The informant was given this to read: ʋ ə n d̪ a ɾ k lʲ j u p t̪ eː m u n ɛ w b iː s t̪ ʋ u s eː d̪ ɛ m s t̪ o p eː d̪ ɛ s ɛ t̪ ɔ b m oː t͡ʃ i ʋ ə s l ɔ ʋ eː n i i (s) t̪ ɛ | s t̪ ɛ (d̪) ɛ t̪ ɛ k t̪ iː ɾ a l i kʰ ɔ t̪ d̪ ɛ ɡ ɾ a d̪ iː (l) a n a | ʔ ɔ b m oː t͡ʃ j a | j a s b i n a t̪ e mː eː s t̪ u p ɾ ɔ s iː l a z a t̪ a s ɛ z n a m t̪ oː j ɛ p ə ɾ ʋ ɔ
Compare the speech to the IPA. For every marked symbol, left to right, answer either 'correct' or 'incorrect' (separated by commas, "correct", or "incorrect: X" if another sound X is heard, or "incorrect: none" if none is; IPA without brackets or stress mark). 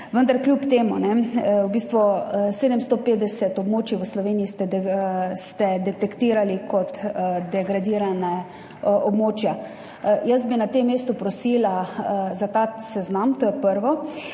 correct, correct, incorrect: ɾ